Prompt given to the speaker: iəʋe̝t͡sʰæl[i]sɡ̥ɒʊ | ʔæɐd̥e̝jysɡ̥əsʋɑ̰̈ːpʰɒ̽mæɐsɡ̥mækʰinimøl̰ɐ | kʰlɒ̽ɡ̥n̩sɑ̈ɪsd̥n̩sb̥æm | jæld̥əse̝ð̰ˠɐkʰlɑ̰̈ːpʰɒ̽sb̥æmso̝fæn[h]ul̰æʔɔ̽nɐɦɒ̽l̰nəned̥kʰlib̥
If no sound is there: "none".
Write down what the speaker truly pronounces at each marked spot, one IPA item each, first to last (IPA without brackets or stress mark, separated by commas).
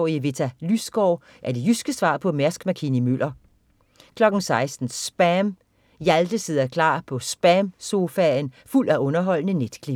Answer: y, f